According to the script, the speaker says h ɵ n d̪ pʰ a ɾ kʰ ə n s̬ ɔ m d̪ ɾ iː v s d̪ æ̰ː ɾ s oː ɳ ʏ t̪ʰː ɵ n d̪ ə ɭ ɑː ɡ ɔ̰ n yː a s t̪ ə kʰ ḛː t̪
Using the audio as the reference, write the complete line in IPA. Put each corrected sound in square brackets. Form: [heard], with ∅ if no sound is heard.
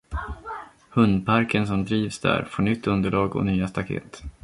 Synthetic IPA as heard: h ɵ n d̪ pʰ a ɾ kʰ ə n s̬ ɔ m d̪ ɾ iː v s d̪ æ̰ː ɾ [f] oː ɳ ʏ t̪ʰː ɵ n d̪ ə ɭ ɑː ɡ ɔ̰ n yː a s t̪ [a] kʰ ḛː t̪